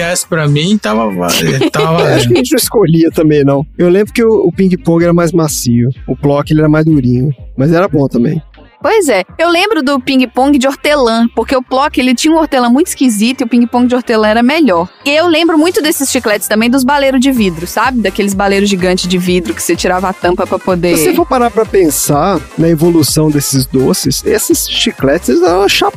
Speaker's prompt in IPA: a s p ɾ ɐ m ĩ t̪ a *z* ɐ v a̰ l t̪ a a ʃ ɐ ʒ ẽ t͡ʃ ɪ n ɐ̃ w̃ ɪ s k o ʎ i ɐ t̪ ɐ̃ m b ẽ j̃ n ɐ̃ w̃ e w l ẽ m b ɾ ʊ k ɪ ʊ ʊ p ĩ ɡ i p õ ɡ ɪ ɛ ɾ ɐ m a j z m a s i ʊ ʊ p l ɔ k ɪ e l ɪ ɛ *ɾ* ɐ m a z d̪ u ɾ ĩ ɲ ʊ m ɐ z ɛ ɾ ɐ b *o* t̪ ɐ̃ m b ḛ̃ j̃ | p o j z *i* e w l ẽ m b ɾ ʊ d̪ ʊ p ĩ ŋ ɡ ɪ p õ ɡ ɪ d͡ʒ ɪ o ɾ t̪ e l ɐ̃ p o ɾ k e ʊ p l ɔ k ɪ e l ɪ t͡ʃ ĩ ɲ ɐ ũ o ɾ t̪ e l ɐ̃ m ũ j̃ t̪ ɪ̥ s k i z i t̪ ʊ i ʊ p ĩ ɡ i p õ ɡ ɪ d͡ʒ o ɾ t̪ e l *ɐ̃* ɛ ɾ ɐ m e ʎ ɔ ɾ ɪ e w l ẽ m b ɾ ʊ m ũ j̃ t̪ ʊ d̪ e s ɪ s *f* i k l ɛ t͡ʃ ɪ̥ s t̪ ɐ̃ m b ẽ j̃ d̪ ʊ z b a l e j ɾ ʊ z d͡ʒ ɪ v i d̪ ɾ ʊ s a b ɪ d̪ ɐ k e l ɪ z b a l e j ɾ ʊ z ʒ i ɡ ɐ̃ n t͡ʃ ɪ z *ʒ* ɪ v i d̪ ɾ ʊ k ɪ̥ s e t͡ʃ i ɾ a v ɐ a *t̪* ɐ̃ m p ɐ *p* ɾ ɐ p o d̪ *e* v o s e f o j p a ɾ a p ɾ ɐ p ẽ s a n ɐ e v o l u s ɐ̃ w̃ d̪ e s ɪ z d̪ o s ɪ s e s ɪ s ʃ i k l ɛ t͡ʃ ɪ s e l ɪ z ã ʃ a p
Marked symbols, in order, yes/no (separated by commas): no, yes, no, no, yes, no, no, yes, yes, yes